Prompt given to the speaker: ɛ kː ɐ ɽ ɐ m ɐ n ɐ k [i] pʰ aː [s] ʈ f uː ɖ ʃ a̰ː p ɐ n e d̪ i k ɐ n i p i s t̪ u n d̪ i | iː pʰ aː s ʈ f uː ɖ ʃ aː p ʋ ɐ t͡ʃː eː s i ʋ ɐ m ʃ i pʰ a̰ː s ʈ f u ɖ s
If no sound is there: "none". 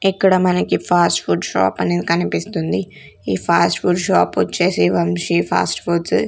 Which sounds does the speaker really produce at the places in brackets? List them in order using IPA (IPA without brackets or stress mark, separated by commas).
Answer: i, s